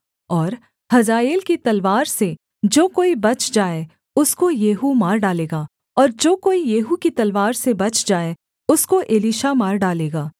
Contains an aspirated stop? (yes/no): no